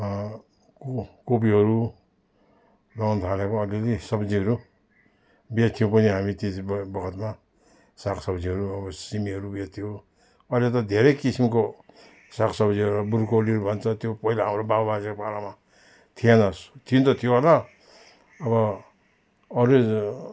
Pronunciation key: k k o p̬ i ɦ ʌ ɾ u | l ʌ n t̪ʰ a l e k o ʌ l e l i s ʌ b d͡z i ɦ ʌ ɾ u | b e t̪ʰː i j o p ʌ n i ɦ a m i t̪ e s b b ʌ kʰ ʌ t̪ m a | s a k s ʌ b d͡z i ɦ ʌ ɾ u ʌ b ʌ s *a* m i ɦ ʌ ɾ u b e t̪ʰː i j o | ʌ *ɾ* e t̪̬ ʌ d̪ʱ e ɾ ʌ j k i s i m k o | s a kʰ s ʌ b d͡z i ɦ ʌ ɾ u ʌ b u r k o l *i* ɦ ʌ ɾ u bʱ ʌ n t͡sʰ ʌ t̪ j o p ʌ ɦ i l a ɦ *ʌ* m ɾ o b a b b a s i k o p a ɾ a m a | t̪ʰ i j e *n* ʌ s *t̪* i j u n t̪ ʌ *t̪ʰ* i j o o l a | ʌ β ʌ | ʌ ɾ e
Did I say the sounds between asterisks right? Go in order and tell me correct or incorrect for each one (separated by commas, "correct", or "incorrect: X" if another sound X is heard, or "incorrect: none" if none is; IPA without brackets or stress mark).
incorrect: i, incorrect: l, correct, incorrect: a, correct, incorrect: t̪ʰ, correct